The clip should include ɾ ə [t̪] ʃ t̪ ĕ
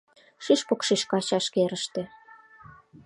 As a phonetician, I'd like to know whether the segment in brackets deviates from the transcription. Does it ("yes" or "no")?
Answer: yes